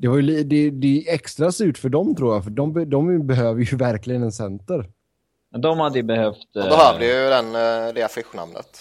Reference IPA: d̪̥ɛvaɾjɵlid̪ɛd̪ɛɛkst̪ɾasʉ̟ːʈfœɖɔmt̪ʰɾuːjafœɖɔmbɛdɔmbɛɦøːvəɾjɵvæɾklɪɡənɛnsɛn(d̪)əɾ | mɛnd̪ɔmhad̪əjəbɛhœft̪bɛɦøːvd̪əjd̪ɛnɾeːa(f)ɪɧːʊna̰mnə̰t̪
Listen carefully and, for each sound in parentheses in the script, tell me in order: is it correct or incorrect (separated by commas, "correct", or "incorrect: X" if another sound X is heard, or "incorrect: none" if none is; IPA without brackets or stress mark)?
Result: incorrect: t̪, correct